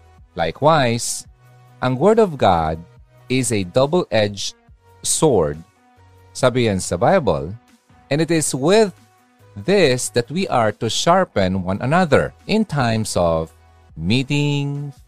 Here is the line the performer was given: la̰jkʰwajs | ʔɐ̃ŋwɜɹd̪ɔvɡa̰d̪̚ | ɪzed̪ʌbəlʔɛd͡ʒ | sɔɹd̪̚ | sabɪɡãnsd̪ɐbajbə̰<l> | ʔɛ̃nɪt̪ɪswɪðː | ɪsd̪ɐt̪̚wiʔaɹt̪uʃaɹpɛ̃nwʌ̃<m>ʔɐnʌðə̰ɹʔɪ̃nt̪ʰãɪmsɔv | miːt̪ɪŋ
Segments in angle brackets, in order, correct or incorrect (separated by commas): correct, incorrect